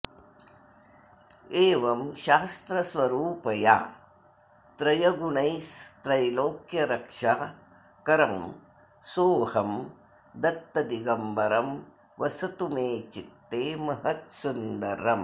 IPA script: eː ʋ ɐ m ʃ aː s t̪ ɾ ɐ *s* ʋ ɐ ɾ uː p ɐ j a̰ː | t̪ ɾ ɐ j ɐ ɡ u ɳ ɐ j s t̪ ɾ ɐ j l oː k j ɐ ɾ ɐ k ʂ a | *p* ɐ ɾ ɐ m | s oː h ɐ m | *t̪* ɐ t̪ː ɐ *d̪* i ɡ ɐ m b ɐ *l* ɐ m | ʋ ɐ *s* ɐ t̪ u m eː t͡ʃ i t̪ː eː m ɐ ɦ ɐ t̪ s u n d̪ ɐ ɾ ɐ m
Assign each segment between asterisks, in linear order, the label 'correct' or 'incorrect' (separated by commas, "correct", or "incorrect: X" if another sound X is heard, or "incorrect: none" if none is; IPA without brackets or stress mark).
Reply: correct, incorrect: k, incorrect: d̪, correct, incorrect: ɾ, correct